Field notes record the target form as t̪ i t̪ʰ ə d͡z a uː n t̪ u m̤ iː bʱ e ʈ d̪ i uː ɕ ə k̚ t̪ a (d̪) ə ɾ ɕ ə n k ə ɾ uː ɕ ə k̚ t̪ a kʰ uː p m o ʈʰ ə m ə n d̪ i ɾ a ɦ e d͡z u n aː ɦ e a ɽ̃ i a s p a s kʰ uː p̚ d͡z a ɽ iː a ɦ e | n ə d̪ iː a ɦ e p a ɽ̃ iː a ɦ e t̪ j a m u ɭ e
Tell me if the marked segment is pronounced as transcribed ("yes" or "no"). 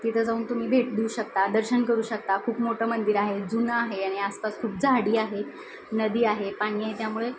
yes